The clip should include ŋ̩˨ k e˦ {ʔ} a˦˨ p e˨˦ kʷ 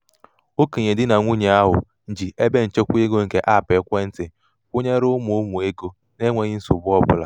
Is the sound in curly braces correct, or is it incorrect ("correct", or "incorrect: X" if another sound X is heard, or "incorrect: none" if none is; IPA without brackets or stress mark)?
correct